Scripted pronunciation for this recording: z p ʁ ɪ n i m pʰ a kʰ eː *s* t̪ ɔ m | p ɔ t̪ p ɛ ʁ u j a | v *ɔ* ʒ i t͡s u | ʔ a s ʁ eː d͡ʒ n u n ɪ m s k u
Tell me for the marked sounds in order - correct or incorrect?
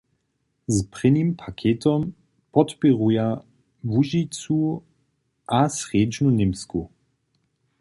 incorrect: none, incorrect: u

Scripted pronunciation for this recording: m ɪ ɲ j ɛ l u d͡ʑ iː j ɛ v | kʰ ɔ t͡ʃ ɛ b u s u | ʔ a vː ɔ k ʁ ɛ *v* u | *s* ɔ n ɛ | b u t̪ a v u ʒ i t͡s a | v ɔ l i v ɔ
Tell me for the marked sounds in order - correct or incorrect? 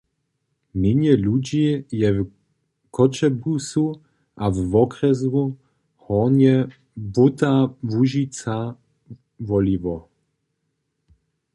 incorrect: z, incorrect: h

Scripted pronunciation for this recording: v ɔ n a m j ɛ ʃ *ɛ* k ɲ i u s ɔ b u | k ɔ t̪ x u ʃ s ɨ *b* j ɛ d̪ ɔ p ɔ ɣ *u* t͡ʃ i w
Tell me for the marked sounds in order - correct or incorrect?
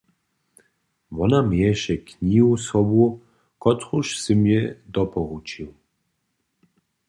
correct, incorrect: m, correct

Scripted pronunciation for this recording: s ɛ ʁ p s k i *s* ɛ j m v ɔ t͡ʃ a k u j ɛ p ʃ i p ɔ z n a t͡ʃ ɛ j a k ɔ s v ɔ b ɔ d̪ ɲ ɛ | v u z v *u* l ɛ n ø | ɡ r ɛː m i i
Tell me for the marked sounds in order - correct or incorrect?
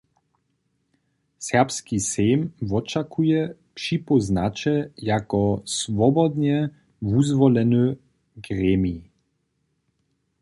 correct, incorrect: ɔ

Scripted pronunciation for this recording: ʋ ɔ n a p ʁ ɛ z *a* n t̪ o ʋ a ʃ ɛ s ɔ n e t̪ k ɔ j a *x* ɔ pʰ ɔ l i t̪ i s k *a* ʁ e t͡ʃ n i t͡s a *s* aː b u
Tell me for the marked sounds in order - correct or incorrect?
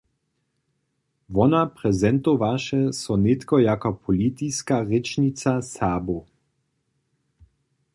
incorrect: ɛ, incorrect: k, correct, correct

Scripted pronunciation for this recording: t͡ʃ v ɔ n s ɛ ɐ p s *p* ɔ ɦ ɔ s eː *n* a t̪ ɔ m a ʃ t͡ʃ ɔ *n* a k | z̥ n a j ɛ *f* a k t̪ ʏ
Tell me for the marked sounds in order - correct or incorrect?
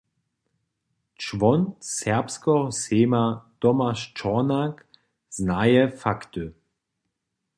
incorrect: k, incorrect: m, correct, correct

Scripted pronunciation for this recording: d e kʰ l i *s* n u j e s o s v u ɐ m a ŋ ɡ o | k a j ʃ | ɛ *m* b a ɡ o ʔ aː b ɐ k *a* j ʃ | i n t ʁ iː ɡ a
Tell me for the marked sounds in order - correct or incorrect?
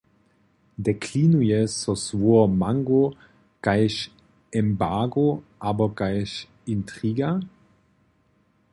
incorrect: none, correct, correct

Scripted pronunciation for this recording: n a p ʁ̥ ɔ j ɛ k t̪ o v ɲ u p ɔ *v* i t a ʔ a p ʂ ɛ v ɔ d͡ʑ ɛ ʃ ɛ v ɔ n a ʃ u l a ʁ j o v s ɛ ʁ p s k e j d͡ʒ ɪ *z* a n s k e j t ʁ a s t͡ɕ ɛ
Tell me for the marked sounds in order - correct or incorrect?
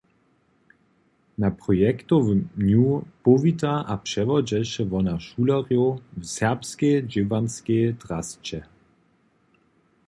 correct, incorrect: v

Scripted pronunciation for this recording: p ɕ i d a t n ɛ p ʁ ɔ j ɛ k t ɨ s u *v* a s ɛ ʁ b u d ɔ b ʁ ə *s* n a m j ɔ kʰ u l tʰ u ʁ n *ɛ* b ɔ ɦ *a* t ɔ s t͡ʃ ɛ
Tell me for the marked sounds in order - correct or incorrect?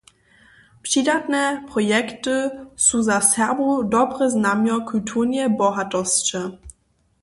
incorrect: z, incorrect: z, correct, correct

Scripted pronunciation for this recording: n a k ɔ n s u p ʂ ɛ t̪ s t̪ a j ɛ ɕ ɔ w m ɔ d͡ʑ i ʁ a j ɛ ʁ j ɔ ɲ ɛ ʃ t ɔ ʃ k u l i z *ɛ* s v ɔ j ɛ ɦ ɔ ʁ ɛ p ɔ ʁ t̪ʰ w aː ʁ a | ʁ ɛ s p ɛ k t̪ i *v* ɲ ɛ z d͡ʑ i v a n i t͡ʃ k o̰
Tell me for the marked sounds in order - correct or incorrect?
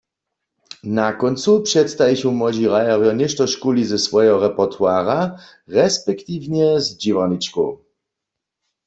correct, correct

